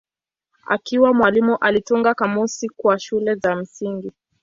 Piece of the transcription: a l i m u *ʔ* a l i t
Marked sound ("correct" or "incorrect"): correct